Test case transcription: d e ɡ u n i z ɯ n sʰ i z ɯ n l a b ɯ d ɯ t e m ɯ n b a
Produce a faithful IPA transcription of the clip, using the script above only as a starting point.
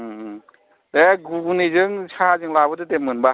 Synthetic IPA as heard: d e ɡ u n i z ɯ ŋ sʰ a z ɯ ŋ l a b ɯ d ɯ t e m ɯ n b a